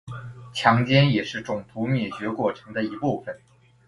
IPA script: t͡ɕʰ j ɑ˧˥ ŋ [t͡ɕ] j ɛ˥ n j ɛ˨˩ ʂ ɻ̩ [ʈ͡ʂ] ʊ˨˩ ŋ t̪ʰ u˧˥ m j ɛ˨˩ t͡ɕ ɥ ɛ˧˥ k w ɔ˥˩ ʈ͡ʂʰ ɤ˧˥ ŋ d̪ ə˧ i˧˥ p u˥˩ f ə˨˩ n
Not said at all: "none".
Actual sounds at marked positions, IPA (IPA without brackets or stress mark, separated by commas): t͡ɕ, ʈ͡ʂ